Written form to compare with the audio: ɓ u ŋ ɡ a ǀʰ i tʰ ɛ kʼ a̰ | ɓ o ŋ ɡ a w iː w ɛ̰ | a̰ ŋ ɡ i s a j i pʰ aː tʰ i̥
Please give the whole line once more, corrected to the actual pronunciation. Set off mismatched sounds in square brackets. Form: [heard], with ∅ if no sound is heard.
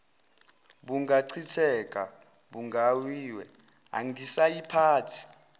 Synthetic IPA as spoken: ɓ u ŋ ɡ a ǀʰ i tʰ ɛ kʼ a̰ | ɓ [u] ŋ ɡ a w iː w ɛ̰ | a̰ ŋ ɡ i s a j i pʰ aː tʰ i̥